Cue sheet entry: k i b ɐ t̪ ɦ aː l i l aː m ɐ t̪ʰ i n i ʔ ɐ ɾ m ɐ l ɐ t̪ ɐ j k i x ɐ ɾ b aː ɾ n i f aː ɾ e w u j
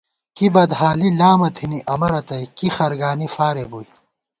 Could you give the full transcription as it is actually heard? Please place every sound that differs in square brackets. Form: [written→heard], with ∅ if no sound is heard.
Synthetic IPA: k i b ɐ [t̪→d̪] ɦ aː l i l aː m ɐ t̪ʰ i n i ʔ ɐ [ɾ→∅] m ɐ [l→ɾ] ɐ t̪ ɐ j k i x ɐ ɾ [b→ɡ] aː [ɾ→∅] n i f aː ɾ e [w→b] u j